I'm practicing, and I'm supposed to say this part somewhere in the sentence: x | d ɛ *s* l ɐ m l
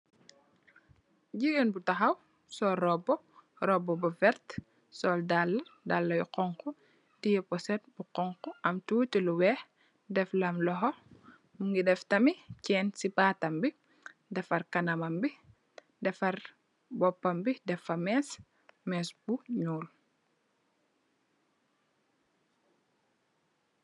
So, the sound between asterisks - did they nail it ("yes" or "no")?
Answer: no